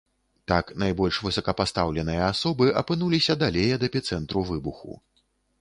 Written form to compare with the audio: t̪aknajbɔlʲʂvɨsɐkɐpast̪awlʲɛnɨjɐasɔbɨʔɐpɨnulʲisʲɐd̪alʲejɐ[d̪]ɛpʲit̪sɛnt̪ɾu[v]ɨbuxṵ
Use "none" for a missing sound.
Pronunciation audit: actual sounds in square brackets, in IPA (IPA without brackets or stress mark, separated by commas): d̪, v